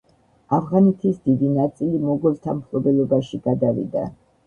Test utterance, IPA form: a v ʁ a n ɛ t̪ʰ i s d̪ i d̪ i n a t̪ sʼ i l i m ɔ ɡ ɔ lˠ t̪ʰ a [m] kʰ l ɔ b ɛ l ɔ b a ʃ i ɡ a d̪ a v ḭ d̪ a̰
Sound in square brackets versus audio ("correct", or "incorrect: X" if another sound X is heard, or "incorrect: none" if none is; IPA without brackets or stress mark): correct